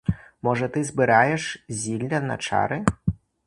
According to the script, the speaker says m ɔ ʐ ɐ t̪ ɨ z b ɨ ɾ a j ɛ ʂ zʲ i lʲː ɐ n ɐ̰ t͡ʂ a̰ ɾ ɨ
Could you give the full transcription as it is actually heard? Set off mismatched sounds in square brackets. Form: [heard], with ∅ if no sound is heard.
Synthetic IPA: m ɔ ʐ ɐ t̪ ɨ z b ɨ ɾ a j ɛ ʂ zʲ i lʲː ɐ n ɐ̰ t͡ʂ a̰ ɾ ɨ